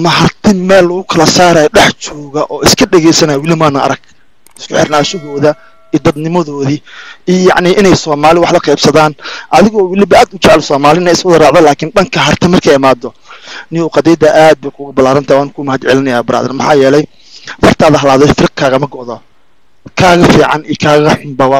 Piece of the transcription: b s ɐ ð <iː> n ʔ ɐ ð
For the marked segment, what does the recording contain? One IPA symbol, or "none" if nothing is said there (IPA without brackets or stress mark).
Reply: aː